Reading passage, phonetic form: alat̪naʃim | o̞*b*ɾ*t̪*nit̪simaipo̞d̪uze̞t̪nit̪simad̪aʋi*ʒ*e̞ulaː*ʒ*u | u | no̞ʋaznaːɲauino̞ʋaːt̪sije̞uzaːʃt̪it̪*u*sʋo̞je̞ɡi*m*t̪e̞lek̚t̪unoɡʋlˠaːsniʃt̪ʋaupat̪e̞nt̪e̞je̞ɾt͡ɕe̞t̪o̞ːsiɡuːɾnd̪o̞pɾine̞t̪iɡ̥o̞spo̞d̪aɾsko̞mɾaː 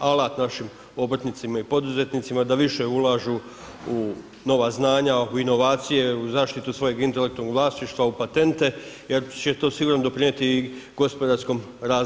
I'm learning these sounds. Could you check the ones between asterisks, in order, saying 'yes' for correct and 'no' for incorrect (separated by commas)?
yes, yes, no, yes, yes, no